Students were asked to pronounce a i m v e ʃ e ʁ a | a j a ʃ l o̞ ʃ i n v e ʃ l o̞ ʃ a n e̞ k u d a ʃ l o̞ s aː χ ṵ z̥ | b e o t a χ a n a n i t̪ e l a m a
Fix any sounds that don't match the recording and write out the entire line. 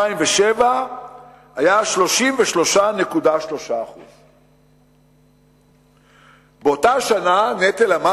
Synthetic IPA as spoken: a i m v e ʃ e v a | a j a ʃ l o̞ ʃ i m v e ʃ l o̞ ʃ a n e̞ k u d a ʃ l o̞ ʃ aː χ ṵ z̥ | b e o t a ʃ a n a n e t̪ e l a m a